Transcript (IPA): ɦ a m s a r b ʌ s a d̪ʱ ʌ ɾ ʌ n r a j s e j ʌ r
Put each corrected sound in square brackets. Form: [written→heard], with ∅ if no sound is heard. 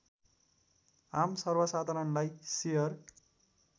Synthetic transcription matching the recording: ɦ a m s [a→ʌ] r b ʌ s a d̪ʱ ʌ ɾ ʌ n [r→l] a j s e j ʌ r

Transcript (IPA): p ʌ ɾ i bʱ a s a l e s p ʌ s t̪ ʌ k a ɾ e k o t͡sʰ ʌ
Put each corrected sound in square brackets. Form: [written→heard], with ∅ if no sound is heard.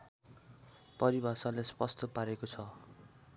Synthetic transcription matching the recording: p ʌ ɾ i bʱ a s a l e s p ʌ s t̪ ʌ [k→p] a ɾ e k o t͡sʰ ʌ

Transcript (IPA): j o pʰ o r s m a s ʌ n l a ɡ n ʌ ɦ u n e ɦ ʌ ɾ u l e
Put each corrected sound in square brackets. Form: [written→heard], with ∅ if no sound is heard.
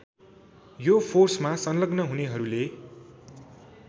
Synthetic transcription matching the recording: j o pʰ o r s m a s ʌ n l [a→ʌ] ɡ n ʌ ɦ u n e ɦ ʌ ɾ u l e

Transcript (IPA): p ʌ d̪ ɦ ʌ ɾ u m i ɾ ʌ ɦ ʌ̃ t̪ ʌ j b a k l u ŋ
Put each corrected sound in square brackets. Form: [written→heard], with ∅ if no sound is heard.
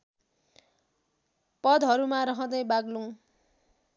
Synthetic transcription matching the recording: p ʌ d̪ ɦ ʌ ɾ u m [i→a] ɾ ʌ ɦ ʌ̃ [t̪→d̪] ʌ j b a [k→ɡ] l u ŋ

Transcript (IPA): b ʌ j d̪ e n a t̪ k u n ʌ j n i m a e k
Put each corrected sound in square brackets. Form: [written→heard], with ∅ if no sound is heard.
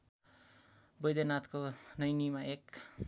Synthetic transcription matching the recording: b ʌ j d̪ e n a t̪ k [u→o] n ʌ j n i m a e k

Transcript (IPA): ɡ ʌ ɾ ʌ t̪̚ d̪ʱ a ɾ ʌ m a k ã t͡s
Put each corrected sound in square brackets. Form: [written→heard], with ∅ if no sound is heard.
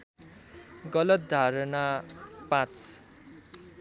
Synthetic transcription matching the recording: ɡ ʌ [ɾ→l] ʌ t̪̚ d̪ʱ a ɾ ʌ [m→n] a [k→p] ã t͡s

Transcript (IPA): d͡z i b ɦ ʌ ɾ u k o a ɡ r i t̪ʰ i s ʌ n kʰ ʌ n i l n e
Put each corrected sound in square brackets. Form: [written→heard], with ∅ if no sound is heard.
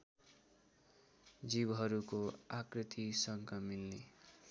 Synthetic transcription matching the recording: d͡z i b ɦ ʌ ɾ u k o a [ɡ→k] r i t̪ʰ i s ʌ [n→ŋ] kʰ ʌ [n→m] i l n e

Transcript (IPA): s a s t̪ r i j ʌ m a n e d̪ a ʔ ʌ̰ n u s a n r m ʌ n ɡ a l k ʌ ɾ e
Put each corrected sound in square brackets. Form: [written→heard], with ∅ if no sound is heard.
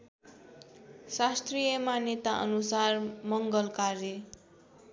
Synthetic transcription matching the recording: s a s t̪ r i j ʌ m a n e [d̪→t̪] a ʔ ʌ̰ n u s a [n→∅] r m ʌ [n→ŋ] ɡ [a→ʌ] l k [ʌ→a] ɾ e

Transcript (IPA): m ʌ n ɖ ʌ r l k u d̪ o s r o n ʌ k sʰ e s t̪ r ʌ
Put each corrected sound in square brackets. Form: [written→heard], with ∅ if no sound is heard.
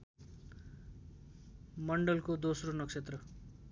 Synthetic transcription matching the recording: m ʌ [n→ɳ] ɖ ʌ [r→∅] l k [u→o] d̪ o s r o n ʌ k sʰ e [s→∅] t̪ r ʌ

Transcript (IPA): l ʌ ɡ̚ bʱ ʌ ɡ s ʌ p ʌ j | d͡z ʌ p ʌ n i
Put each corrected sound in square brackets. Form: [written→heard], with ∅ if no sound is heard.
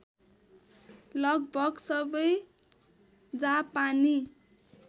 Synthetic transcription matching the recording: l ʌ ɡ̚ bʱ ʌ ɡ s ʌ [p→b] ʌ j | d͡z [ʌ→a] p [ʌ→a] n i

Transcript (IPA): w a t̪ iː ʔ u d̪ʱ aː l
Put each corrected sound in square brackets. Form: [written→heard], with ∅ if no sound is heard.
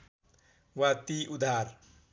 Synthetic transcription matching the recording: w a t̪ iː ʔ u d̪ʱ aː [l→ɾ]

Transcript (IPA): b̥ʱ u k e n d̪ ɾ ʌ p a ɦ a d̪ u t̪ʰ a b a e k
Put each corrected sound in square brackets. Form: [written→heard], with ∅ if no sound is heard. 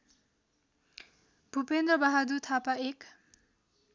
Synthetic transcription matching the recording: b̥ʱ u [k→p] e n d̪ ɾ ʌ [p→b] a ɦ a d̪ u t̪ʰ a [b→p] a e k

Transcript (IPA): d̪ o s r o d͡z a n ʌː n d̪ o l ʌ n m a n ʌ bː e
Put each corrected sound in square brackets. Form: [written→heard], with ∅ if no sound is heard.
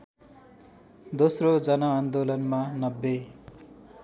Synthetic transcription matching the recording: d̪ o s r o d͡z [a→ʌ] n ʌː n d̪ o l ʌ n m a n ʌ bː e

